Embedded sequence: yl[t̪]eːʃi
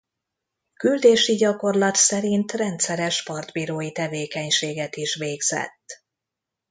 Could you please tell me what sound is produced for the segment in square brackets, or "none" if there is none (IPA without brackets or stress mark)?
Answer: d̪